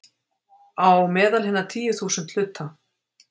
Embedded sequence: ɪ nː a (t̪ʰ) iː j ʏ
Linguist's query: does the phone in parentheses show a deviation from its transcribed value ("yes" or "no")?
no